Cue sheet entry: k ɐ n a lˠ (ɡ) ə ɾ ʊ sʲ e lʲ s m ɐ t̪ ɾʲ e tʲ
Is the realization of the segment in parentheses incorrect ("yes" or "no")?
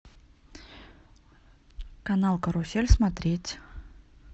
yes